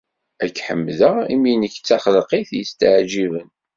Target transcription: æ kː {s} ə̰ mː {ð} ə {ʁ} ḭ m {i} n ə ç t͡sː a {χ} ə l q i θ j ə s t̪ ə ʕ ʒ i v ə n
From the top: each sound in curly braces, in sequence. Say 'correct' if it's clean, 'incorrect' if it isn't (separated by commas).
incorrect, correct, correct, correct, correct